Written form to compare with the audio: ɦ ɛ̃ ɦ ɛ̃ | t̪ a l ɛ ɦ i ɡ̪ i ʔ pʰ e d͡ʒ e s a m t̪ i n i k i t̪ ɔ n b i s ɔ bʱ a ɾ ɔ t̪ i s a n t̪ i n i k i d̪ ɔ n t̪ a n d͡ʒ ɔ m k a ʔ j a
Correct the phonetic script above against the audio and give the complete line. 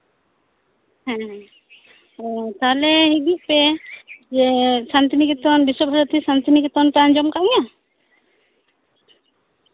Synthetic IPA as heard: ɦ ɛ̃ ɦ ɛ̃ | t̪ a l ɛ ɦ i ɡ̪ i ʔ p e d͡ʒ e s a n t̪ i n i k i t̪ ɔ n b i s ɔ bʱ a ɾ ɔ t̪ i s a n t̪ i n i k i t̪ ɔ n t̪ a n d͡ʒ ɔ m k a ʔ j a